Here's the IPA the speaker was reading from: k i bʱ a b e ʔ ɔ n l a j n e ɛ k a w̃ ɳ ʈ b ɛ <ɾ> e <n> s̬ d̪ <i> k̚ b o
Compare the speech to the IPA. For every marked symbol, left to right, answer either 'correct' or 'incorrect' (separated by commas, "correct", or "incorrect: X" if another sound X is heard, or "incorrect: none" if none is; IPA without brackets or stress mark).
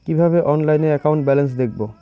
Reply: incorrect: l, correct, incorrect: e